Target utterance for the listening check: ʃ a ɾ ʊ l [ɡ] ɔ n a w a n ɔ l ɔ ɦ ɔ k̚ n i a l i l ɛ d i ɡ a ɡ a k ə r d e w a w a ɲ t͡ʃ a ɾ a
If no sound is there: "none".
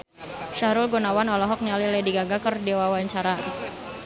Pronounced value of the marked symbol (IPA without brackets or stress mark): ɡ